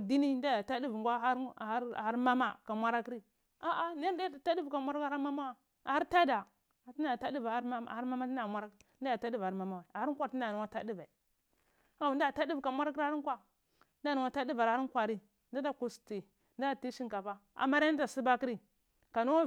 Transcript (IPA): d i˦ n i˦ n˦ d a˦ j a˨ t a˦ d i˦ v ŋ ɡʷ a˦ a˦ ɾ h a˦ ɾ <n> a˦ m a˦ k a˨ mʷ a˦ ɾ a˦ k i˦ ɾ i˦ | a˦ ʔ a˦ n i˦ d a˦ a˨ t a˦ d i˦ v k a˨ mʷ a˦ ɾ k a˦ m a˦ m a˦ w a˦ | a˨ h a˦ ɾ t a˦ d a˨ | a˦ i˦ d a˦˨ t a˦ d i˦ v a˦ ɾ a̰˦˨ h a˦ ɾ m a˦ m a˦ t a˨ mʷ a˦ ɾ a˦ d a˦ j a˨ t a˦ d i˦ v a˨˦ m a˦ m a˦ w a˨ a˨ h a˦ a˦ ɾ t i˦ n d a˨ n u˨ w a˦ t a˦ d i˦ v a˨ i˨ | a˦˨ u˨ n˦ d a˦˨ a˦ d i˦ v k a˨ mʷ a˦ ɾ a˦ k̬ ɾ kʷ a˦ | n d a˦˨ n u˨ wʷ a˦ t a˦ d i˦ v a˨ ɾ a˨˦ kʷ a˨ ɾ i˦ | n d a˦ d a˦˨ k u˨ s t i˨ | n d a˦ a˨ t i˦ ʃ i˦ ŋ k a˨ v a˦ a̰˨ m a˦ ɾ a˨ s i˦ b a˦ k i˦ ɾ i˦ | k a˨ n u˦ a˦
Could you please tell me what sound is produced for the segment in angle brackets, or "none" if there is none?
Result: m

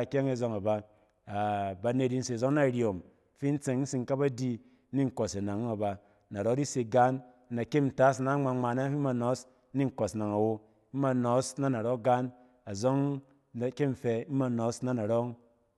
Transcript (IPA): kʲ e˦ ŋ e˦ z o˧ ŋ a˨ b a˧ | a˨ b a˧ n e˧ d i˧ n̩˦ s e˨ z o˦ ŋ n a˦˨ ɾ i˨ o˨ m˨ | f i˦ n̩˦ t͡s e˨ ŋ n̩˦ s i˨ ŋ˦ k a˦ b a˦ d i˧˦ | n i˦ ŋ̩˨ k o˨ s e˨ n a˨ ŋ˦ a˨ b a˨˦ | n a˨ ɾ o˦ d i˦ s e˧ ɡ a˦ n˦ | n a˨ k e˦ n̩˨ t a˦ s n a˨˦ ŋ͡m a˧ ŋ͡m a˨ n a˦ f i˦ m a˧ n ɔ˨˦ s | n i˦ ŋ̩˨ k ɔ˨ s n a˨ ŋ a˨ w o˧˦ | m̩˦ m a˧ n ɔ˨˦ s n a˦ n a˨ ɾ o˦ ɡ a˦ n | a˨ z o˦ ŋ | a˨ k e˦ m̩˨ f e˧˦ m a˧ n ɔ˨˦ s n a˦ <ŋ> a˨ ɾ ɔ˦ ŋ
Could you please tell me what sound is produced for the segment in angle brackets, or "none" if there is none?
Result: n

